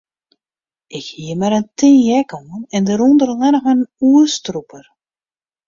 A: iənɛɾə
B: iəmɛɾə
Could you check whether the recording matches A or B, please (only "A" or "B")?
B